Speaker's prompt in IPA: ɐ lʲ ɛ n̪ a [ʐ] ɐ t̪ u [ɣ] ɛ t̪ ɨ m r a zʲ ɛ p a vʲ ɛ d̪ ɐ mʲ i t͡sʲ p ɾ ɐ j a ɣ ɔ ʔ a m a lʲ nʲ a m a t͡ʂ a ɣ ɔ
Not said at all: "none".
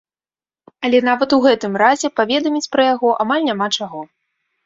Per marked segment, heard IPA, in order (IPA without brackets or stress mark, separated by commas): v, ɣ